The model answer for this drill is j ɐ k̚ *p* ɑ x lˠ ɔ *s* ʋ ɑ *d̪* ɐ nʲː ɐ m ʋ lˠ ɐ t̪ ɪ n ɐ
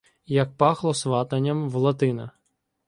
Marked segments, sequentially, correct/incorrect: correct, correct, incorrect

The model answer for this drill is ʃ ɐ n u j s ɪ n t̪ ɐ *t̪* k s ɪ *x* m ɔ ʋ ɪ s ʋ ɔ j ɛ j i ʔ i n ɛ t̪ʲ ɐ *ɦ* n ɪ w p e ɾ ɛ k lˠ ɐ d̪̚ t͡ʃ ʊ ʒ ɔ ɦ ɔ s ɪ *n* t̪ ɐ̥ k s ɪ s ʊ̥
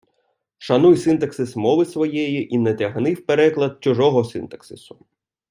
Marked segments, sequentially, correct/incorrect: incorrect, incorrect, correct, correct

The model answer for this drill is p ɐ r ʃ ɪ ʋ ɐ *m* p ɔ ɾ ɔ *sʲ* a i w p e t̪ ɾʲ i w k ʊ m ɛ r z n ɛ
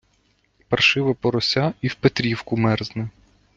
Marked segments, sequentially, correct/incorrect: incorrect, correct

